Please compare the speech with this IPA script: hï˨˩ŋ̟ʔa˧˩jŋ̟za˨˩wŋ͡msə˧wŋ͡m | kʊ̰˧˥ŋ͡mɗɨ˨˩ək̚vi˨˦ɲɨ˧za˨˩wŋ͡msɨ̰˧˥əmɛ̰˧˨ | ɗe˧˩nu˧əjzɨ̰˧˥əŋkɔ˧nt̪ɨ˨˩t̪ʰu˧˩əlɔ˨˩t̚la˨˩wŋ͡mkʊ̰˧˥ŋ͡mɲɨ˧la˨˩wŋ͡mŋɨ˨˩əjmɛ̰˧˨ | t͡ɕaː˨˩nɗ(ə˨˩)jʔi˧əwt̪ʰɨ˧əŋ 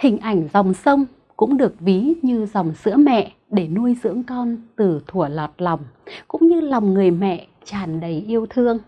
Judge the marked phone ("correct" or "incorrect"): correct